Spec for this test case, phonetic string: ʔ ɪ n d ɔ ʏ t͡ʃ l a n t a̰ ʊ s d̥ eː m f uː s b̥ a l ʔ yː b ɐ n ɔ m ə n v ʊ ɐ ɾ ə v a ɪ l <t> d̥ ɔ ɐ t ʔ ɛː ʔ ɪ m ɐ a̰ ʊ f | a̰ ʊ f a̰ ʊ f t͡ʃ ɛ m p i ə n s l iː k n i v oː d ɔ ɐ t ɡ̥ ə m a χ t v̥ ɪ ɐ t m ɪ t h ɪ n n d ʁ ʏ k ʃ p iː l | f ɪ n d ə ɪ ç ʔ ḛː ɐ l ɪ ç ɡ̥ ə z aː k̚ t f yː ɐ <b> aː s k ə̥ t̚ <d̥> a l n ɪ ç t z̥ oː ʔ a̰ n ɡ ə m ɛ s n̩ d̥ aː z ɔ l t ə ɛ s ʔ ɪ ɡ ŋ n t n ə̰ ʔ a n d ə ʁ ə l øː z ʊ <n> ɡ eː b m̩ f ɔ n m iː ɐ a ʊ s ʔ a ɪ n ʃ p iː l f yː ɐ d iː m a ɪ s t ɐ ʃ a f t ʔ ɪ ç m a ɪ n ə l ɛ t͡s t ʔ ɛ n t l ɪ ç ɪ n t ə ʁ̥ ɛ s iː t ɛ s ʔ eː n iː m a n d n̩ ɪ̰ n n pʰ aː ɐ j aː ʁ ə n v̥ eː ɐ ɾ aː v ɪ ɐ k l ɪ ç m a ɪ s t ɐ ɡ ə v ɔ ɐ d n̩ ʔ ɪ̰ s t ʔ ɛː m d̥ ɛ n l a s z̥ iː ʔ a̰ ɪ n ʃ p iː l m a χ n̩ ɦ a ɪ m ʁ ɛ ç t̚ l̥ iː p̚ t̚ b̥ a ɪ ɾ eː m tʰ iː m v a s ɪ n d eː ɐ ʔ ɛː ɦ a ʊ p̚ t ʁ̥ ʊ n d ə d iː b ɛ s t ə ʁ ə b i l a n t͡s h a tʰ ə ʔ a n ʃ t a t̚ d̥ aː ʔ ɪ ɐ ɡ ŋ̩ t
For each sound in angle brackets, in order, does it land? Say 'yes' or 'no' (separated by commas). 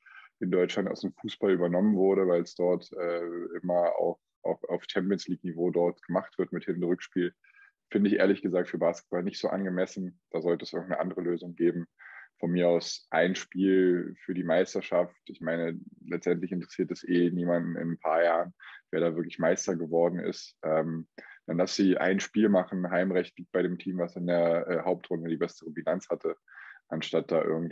no, yes, no, no